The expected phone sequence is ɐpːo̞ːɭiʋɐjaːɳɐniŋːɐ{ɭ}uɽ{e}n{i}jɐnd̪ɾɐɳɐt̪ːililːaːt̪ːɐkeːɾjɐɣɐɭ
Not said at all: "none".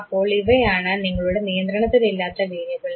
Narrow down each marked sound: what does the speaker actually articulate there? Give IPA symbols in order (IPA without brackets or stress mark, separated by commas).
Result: ɭ, e, i